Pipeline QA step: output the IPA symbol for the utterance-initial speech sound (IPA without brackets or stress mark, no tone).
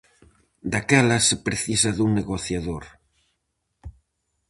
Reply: d̪